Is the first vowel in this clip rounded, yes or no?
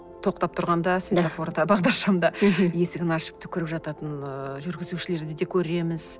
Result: yes